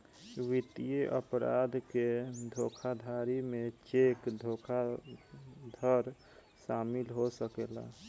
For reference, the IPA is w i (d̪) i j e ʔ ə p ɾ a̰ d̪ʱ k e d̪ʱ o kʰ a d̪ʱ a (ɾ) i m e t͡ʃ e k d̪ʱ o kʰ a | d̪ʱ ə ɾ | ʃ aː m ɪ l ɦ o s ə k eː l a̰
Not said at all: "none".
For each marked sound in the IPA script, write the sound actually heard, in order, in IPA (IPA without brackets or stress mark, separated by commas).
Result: t̪, ɾ